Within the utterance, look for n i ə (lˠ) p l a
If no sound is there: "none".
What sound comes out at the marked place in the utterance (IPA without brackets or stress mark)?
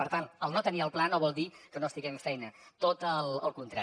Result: lˠ